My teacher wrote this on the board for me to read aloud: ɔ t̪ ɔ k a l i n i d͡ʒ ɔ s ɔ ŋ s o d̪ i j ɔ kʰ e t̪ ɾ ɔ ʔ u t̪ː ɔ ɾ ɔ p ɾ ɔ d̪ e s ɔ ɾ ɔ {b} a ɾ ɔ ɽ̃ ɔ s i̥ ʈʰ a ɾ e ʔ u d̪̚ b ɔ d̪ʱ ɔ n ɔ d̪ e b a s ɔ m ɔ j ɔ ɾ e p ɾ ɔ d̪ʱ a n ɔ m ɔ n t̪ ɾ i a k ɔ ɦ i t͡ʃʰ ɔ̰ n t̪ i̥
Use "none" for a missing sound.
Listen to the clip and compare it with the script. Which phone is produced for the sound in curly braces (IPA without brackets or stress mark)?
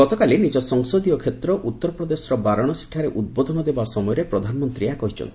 b